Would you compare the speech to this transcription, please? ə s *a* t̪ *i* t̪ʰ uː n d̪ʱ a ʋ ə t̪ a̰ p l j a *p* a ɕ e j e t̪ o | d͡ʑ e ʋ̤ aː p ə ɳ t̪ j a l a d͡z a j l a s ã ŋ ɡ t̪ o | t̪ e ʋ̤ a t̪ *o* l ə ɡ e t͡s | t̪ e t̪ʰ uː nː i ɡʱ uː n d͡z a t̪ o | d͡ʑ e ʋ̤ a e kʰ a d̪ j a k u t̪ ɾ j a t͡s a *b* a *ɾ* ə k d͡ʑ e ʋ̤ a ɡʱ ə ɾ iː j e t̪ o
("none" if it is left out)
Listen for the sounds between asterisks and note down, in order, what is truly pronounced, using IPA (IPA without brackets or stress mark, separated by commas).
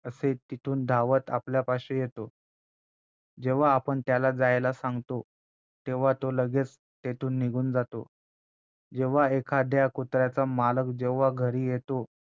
e, i, p, o, m, l